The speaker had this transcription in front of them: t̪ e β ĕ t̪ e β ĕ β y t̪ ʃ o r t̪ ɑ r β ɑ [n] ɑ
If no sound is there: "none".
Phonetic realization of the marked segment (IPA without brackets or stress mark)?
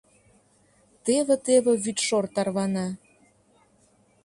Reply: n